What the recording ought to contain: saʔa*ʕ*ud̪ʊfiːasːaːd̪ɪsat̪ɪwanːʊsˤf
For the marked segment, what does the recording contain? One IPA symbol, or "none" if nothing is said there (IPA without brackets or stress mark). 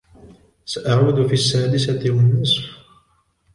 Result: ʕ